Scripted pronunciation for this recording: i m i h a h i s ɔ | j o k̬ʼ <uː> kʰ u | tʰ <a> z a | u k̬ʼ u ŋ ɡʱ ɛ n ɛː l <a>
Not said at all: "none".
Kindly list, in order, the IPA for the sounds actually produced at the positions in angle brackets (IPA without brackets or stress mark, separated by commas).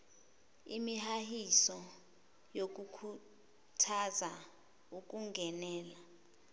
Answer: u, a, a